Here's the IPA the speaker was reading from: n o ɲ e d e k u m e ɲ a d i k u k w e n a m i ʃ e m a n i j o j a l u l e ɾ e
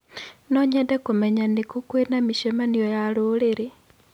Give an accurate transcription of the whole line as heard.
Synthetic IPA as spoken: n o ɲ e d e k u m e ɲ a n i k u k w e n a m i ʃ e m a n i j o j a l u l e ɾ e